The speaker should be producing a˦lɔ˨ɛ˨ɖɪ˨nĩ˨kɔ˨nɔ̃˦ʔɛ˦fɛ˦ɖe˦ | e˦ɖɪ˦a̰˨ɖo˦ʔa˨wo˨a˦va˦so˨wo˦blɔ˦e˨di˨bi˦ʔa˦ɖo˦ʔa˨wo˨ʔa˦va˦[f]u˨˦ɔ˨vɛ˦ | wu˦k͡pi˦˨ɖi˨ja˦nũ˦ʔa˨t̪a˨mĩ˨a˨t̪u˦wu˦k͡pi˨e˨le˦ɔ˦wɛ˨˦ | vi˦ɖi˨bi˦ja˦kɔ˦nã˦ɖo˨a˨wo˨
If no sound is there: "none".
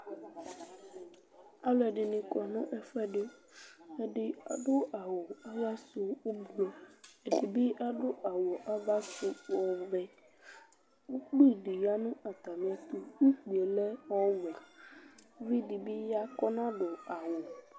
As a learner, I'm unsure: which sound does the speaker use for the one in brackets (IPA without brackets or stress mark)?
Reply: s